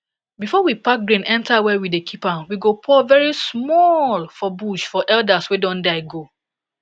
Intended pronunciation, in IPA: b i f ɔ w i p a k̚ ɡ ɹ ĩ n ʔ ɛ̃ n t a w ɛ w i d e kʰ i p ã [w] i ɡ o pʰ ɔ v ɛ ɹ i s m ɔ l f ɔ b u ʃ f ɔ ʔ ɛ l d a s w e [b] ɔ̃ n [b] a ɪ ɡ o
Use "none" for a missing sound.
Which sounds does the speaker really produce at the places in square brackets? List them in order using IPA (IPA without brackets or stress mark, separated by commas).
w, d, d